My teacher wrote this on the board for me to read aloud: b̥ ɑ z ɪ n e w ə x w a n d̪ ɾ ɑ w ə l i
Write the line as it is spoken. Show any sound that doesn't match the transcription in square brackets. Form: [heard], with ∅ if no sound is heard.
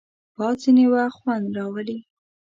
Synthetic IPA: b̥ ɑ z [i] n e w [a] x w a n d̪ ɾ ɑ w ə l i